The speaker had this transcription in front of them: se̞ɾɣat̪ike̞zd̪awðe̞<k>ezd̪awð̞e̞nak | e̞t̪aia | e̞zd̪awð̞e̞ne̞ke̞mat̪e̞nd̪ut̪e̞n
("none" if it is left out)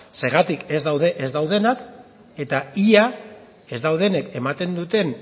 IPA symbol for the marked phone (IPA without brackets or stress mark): ʔ